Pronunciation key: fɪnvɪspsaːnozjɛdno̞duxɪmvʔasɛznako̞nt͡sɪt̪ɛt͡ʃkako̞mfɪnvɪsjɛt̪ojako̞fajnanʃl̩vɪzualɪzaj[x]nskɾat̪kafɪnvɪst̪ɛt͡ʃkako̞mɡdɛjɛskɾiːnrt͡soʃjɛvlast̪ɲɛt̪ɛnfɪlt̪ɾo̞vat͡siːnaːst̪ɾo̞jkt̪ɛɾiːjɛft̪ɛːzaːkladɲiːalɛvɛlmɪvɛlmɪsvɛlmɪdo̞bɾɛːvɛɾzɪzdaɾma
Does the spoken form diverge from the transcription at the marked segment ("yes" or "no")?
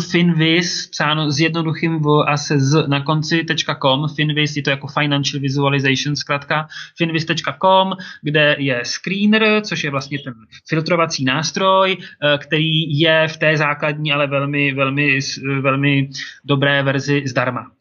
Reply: yes